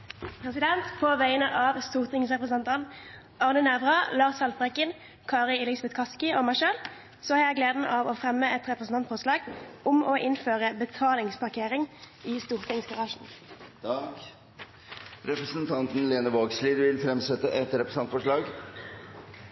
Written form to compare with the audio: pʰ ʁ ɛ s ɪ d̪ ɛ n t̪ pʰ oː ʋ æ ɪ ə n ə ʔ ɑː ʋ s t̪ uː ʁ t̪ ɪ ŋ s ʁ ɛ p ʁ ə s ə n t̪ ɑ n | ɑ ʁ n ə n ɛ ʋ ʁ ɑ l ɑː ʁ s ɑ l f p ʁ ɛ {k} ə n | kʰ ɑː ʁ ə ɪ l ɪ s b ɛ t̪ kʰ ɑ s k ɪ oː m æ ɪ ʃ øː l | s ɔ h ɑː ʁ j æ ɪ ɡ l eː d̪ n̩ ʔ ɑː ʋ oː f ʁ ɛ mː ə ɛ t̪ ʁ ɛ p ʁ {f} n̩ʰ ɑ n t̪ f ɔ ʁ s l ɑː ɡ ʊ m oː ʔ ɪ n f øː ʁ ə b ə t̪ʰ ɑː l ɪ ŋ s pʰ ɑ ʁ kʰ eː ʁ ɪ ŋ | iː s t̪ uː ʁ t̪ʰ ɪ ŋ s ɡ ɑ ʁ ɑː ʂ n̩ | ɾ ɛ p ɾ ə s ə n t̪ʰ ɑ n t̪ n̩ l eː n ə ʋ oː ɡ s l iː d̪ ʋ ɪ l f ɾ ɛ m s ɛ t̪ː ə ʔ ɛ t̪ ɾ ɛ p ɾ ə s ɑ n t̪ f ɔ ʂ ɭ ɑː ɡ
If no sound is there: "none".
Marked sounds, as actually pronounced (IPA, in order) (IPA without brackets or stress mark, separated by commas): k, s